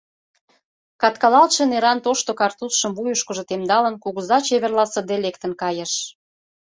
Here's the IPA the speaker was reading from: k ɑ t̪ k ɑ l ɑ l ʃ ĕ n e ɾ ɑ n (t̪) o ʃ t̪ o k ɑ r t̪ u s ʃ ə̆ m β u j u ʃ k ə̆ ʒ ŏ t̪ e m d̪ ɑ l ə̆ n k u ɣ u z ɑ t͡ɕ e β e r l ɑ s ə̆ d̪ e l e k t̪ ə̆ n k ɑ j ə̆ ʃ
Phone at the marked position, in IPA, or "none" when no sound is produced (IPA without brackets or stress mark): t̪